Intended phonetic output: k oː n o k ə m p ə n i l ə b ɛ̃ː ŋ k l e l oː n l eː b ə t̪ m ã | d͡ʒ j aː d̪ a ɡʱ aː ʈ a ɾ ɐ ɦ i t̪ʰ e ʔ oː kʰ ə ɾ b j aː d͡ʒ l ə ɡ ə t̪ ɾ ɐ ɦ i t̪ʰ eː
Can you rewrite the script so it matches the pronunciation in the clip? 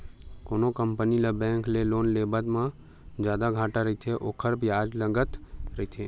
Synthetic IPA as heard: k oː n o k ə m p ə n i l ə b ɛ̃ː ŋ k l e l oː n l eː b ə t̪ m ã | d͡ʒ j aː d̪ a ɡʱ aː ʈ a ɾ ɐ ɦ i t̪ʰ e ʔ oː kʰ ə ɾ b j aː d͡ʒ l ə ɡ ə t̪ ɾ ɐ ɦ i t̪ʰ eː